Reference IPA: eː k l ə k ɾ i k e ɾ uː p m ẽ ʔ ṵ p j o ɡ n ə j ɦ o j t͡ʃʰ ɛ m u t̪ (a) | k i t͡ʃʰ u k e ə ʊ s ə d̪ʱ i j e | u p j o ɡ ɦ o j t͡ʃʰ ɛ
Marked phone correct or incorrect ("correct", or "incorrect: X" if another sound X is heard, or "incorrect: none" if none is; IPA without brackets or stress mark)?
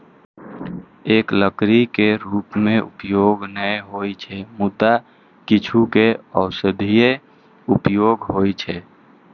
correct